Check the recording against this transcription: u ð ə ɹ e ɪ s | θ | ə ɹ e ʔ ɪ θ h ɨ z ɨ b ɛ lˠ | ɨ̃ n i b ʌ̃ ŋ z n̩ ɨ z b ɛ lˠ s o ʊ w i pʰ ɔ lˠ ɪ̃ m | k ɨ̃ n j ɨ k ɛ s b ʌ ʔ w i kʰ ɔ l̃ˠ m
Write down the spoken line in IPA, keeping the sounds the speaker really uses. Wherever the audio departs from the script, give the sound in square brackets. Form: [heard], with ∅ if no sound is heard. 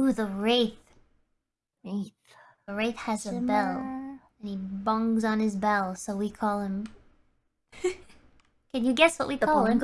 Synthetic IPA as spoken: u ð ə ɹ e ɪ [θ] | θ | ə ɹ e [∅] ɪ θ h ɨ z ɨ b ɛ lˠ | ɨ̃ n i b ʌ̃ ŋ z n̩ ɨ z b ɛ lˠ s o ʊ w i [kʰ] ɔ lˠ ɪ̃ m | k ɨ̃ n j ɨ [ɡ] ɛ s [w] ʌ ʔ w i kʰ ɔ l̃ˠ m